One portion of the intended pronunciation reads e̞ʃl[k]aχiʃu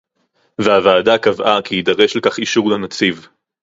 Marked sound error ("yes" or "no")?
no